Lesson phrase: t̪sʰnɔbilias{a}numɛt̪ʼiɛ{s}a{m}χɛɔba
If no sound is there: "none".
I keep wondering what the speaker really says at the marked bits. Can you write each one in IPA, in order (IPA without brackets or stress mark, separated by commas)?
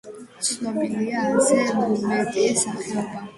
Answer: ɛ, s, none